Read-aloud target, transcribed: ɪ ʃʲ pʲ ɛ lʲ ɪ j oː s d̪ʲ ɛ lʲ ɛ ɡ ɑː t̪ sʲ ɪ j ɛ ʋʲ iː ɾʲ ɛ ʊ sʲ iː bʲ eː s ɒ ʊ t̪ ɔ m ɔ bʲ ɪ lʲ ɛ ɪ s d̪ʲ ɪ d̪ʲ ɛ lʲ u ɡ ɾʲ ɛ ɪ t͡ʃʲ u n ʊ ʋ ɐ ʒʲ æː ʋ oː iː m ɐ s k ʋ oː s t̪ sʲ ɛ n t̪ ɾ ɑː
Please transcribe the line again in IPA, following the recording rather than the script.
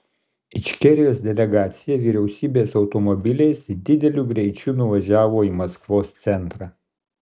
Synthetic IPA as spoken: ɪ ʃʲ kʲ ɛ ɾʲ ɪ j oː s d̪ʲ ɛ lʲ ɛ ɡ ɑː t̪ sʲ ɪ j ɛ ʋʲ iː ɾʲ ɛ ʊ sʲ iː bʲ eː s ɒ ʊ t̪ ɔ m ɔ bʲ ɪ lʲ ɛ ɪ s d̪ʲ ɪ d̪ʲ ɛ lʲ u ɡ ɾʲ ɛ ɪ t͡ʃʲ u n ʊ ʋ ɐ ʒʲ æː ʋ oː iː m ɐ s k ʋ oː s t̪ sʲ ɛ n t̪ ɾ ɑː